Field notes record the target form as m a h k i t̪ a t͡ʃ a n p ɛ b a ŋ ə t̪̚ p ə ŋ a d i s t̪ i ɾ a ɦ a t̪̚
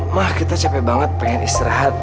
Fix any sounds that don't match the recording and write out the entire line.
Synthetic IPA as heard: m a h k i t̪ a t͡ʃ a p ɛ b a ŋ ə t̪̚ p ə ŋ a n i s t̪ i ɾ a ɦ a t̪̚